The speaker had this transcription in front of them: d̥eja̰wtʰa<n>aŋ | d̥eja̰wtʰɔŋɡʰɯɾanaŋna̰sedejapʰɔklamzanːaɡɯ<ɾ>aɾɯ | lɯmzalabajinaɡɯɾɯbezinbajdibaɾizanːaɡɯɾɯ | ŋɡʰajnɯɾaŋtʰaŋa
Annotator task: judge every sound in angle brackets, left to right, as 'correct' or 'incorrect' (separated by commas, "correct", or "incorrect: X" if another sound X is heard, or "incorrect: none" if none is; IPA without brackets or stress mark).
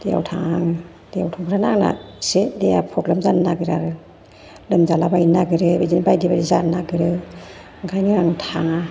incorrect: ŋ, correct